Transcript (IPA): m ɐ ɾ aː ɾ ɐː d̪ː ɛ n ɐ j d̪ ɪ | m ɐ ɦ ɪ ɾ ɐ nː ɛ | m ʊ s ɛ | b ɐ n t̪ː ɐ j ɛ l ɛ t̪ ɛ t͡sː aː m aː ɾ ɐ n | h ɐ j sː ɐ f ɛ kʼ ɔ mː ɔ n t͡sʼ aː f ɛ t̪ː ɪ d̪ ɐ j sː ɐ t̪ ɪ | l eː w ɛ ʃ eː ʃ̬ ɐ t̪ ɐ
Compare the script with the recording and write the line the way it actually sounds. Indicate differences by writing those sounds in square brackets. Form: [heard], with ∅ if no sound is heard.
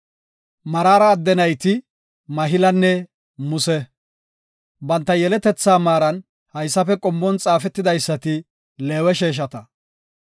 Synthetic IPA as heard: m ɐ ɾ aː ɾ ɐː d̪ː ɛ n ɐ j [t̪] ɪ | m ɐ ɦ ɪ [l] ɐ nː ɛ | m ʊ s ɛ | b ɐ n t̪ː ɐ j ɛ l ɛ t̪ ɛ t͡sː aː m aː ɾ ɐ n | h ɐ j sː ɐ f ɛ kʼ ɔ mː ɔ n t͡sʼ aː f ɛ t̪ː ɪ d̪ ɐ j sː ɐ t̪ ɪ | l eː w ɛ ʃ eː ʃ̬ ɐ t̪ ɐ